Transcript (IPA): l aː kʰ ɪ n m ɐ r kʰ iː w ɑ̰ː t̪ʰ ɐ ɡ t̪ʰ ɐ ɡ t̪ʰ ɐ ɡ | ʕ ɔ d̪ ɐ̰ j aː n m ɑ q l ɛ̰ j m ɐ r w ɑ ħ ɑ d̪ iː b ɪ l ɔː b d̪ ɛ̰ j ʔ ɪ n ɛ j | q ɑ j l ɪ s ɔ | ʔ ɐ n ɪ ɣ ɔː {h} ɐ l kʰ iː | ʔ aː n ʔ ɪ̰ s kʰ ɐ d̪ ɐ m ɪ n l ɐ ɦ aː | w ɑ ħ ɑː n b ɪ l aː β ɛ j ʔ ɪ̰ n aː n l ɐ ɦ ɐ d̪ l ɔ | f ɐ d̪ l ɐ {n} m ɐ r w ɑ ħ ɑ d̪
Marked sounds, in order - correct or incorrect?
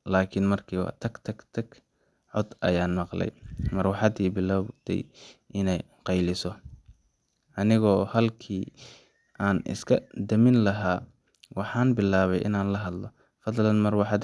correct, correct

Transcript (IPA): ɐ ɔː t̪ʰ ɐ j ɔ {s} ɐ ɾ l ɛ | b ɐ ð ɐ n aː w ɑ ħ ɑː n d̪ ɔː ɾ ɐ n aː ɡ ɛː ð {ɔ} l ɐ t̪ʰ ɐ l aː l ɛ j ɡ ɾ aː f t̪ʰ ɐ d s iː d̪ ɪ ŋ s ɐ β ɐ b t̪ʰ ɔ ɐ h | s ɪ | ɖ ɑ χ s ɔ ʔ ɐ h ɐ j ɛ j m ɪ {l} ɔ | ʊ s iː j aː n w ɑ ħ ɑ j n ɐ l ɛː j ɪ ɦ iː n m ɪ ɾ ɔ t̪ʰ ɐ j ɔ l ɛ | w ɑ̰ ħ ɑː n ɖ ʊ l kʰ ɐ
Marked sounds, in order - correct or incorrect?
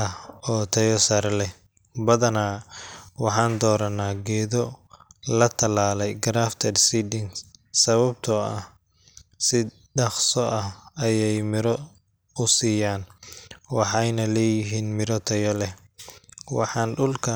correct, correct, incorrect

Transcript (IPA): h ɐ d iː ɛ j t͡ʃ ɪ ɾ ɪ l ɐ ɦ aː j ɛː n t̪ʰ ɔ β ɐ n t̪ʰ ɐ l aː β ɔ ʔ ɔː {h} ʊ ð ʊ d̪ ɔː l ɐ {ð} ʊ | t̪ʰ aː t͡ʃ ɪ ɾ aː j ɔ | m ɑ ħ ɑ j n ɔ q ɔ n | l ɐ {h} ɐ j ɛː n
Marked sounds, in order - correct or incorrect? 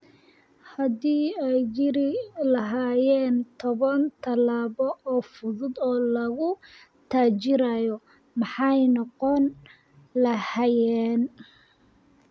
incorrect, incorrect, correct

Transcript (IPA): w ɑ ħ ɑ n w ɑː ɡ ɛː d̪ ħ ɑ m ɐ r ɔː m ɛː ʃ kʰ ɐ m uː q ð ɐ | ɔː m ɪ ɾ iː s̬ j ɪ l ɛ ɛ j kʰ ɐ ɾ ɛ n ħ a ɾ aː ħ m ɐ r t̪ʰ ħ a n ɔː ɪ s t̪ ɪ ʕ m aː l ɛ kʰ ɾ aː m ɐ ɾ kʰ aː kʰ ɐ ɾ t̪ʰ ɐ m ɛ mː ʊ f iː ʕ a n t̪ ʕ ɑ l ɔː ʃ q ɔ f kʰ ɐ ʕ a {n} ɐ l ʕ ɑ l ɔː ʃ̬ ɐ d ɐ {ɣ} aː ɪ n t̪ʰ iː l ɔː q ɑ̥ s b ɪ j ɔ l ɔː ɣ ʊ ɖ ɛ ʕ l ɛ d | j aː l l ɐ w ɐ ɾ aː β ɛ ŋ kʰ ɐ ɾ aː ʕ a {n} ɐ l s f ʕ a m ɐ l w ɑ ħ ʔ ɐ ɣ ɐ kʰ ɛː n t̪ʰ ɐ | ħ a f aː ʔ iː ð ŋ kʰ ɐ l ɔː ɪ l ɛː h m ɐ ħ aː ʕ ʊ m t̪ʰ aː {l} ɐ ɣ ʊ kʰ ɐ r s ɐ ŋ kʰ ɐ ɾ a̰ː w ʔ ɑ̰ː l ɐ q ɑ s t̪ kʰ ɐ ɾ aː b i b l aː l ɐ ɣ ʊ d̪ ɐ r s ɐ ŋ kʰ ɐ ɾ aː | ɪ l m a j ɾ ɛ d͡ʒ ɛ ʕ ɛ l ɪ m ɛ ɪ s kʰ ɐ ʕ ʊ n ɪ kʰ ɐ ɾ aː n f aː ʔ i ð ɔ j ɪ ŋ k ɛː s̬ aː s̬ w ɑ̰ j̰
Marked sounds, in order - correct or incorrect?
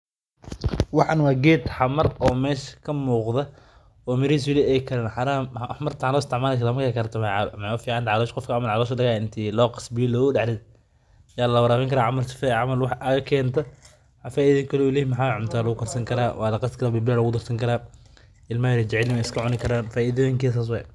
incorrect, correct, incorrect, correct

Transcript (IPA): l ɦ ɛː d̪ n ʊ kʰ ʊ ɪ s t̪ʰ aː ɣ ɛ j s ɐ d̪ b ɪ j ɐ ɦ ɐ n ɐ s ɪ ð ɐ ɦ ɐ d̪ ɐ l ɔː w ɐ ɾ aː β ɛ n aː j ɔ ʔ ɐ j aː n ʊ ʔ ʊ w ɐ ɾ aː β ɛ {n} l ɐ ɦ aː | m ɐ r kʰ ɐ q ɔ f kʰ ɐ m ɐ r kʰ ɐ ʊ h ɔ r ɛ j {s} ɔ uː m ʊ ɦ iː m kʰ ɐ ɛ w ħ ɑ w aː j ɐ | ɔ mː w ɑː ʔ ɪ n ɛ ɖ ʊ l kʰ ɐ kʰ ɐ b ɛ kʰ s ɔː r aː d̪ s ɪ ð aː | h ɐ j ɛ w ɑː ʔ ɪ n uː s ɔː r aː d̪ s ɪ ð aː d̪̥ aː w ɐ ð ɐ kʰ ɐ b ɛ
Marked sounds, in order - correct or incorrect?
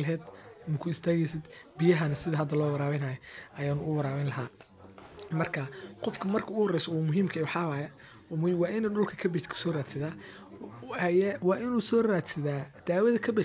correct, correct

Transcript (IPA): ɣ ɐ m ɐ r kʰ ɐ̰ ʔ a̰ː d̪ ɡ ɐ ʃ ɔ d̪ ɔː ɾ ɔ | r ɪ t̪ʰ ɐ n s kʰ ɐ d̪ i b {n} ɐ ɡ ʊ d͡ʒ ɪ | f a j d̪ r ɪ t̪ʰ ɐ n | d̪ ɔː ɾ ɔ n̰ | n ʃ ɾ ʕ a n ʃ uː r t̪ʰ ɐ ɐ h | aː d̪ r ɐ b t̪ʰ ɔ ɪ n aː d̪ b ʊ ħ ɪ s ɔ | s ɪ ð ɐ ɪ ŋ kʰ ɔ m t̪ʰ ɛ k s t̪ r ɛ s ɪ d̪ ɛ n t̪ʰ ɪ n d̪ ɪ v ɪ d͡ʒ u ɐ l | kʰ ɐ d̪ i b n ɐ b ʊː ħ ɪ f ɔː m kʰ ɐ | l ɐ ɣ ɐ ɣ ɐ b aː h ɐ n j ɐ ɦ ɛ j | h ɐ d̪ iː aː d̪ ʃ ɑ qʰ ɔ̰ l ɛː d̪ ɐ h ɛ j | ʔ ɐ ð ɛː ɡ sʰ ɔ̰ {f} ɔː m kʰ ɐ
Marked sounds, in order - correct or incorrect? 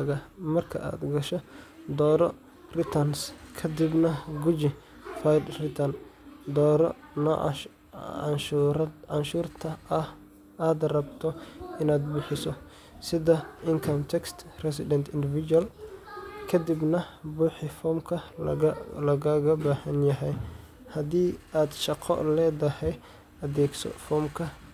correct, correct

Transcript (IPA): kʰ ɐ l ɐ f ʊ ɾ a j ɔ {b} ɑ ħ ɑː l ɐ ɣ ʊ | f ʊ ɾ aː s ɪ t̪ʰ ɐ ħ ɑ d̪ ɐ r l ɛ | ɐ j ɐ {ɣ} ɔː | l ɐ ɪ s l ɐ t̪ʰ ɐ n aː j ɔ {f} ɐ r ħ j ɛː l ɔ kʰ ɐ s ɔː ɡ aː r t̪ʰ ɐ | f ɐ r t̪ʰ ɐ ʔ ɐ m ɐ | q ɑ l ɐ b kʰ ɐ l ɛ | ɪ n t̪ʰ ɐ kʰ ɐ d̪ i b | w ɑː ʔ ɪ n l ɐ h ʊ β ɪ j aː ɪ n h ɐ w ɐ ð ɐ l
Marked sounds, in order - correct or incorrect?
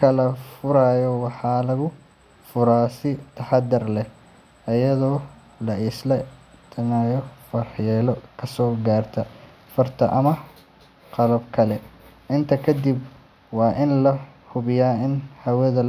incorrect, incorrect, correct

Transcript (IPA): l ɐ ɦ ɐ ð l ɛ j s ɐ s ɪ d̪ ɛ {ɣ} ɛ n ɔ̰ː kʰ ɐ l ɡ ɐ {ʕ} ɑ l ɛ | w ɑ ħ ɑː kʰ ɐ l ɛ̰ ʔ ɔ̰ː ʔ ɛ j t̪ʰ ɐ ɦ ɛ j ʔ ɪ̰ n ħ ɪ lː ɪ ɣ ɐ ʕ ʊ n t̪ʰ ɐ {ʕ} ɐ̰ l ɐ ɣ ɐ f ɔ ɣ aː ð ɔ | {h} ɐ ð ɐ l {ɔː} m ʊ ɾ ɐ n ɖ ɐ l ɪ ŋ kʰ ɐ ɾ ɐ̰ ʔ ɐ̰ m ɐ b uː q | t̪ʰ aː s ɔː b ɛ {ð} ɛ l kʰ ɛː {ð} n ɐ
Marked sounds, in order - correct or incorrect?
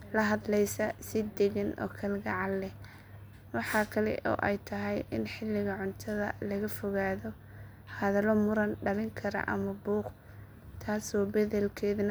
correct, correct, incorrect, correct, incorrect, correct, correct

